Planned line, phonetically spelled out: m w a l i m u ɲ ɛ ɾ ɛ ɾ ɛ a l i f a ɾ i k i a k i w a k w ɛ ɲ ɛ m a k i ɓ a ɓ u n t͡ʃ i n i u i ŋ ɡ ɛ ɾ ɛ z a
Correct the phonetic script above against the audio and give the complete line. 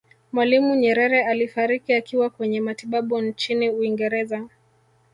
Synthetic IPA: m w a l i m u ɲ ɛ ɾ ɛ ɾ ɛ a l i f a ɾ i k i a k i w a k w ɛ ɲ ɛ m a t i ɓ a ɓ u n t͡ʃ i n i u i ŋ ɡ ɛ ɾ ɛ z a